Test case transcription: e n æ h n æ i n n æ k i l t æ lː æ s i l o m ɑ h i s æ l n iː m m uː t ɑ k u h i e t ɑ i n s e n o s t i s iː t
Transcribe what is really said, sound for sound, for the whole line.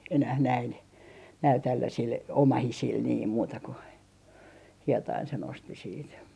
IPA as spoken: e n æ h n æ i n n æ i l t æ lː æ s i l o m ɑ h i s i l n iː m m uː t ɑ k u h i e t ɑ i n s e n o s t i s iː t